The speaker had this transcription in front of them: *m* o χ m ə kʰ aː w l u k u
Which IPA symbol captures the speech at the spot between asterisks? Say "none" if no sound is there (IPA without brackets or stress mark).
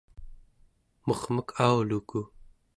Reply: m